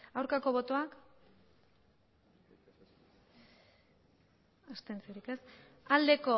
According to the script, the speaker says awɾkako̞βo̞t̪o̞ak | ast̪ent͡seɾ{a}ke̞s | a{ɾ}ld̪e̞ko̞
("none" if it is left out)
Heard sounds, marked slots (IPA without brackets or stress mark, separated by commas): i, none